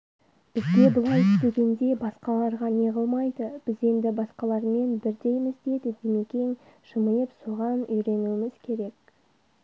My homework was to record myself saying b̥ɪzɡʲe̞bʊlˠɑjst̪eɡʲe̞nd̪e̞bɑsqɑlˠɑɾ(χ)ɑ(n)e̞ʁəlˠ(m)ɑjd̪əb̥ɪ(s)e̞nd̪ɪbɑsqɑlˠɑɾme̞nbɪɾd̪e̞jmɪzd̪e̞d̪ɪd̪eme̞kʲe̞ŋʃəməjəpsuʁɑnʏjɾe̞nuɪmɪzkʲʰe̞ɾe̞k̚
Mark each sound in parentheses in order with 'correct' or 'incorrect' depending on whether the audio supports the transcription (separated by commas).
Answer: incorrect, correct, correct, incorrect